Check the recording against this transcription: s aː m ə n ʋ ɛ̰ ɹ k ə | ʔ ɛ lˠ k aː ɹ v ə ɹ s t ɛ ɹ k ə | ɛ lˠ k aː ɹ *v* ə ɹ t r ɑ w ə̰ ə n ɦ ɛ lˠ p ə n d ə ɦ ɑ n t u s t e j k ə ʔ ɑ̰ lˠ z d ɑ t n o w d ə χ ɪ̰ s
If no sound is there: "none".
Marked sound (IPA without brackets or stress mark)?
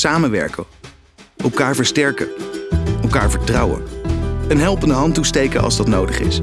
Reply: v